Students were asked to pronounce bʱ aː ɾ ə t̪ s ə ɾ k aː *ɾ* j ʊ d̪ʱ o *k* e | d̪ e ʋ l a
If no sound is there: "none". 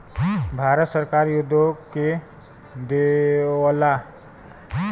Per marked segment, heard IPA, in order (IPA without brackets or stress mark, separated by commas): ɾ, k